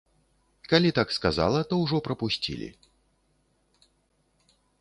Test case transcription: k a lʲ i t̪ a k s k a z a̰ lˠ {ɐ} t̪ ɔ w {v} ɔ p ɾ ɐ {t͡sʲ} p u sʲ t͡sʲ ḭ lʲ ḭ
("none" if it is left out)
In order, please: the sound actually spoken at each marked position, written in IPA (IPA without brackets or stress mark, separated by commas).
ɐ, ʐ, none